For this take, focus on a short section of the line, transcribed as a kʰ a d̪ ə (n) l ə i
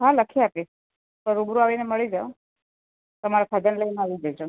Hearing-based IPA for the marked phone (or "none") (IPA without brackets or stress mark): n